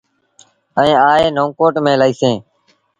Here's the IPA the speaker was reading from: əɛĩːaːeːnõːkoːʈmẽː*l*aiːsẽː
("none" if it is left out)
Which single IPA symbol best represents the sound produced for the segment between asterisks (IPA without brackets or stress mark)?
l